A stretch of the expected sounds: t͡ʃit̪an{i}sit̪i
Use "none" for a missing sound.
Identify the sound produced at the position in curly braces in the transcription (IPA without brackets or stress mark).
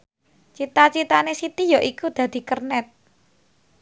e